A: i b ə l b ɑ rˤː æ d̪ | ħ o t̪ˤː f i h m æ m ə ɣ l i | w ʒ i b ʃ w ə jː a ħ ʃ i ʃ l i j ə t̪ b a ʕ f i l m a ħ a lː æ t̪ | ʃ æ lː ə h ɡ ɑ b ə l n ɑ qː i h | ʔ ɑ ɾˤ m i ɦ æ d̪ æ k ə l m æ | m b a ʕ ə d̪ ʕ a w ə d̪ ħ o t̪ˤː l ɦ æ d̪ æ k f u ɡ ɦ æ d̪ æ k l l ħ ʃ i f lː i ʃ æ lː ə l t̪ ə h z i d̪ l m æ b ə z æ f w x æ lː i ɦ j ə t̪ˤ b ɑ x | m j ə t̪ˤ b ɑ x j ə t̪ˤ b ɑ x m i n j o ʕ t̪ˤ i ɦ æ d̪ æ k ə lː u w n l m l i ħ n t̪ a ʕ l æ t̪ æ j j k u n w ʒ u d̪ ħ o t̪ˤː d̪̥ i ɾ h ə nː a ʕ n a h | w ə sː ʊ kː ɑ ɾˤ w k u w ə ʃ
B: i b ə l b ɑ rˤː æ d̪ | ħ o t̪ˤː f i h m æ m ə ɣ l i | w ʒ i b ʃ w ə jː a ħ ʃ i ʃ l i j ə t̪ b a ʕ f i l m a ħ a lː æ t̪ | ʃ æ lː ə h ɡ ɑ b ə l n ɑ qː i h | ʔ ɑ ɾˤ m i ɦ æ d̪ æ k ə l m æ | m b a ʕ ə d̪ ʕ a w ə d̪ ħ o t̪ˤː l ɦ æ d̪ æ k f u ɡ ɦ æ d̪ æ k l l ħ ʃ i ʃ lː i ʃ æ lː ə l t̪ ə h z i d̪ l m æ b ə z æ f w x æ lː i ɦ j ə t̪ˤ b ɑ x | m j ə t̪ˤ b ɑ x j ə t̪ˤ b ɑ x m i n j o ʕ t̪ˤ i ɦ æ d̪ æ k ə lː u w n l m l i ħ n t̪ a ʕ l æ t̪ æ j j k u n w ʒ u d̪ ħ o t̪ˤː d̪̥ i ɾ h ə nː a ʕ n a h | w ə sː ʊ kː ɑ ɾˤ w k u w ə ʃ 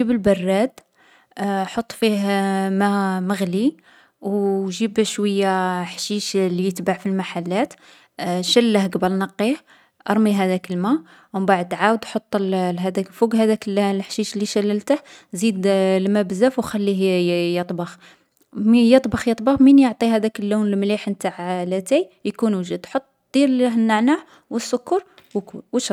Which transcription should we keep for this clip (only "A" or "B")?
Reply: B